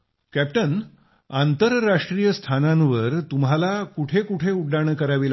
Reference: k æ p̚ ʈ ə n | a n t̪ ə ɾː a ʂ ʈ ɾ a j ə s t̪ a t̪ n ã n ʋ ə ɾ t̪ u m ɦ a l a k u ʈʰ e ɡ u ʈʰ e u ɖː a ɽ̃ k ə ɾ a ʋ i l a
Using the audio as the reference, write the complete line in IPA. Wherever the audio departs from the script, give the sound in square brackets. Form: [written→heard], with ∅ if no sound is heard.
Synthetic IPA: k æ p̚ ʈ ə n | a n t̪ ə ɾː a ʂ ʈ ɾ [a→i] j ə s [t̪→t̪ʰ] a [t̪→∅] n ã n ʋ ə ɾ t̪ u m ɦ a l a k u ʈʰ e [ɡ→k] u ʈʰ e u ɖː a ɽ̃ k ə ɾ a ʋ i l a